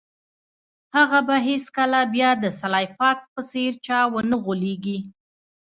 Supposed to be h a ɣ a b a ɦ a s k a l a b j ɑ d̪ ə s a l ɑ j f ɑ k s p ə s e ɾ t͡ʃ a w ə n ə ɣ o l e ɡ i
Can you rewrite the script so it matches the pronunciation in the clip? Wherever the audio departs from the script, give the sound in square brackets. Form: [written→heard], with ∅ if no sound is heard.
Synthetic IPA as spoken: h a ɣ a b a ɦ [a→e] s k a l a b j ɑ d̪ ə s a l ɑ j f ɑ k s p ə s e ɾ t͡ʃ [a→ɑ] w ə n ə ɣ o l e ɡ i